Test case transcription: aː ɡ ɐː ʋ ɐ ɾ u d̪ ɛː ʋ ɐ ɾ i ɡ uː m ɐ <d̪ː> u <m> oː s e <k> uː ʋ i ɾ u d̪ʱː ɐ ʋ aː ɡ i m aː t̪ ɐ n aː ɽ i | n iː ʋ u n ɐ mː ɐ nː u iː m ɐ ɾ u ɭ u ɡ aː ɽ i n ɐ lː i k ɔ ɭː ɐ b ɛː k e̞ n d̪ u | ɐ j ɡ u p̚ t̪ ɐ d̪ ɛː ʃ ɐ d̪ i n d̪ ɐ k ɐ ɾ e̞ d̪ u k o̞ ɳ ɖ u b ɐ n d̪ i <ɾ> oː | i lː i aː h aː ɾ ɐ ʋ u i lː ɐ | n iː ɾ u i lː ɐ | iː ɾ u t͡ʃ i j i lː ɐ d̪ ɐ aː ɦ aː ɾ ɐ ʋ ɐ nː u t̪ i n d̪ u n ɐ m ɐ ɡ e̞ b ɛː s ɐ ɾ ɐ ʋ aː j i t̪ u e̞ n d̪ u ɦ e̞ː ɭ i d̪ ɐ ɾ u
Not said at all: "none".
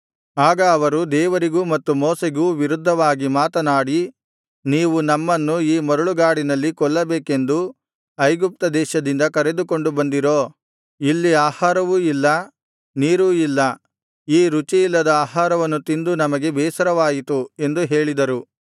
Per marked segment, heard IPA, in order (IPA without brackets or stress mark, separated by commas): t̪ː, m, ɡ, ɾ